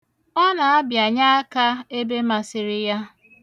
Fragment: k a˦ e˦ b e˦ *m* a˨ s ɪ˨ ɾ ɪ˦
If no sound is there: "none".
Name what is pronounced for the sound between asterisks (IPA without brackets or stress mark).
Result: m